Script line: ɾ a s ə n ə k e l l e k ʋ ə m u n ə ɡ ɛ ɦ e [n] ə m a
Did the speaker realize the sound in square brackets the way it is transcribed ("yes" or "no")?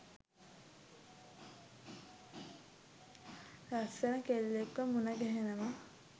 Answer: yes